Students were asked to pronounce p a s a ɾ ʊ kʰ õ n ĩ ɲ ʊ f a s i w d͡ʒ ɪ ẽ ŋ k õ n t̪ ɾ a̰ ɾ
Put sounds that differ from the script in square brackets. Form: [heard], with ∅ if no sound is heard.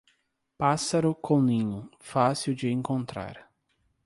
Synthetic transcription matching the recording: p a s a ɾ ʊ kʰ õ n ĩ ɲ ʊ f a s i w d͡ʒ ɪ ẽ ŋ k õ n t̪ ɾ a̰ ɾ

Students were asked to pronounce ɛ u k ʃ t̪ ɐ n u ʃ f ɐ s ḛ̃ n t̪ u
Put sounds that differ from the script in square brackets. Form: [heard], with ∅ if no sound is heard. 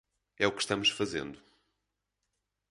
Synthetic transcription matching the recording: ɛ u k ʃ t̪ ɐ [m] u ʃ f ɐ [z] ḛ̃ n [d̪] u

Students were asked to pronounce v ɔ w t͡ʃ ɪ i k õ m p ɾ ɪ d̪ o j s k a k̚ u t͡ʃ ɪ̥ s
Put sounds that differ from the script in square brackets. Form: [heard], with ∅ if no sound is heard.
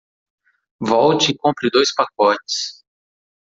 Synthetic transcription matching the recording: v ɔ w t͡ʃ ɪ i k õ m p ɾ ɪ d̪ o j s [p] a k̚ [ɔ] t͡ʃ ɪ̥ s

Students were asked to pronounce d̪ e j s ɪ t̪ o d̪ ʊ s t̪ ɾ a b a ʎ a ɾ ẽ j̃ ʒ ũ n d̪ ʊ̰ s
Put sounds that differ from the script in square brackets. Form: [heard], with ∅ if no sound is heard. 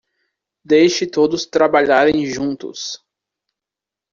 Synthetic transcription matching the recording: d̪ e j [ʃ] ɪ t̪ o d̪ ʊ s t̪ ɾ a b a ʎ a ɾ ẽ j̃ ʒ ũ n [t̪] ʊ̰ s

